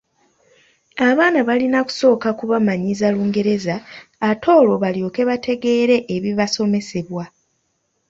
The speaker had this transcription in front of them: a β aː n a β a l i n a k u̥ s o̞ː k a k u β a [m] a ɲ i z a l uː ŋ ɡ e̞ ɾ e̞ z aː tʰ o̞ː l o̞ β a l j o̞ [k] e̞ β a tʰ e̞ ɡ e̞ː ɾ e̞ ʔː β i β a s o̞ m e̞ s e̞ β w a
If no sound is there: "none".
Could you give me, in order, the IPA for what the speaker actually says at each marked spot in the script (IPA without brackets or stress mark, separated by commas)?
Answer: m, k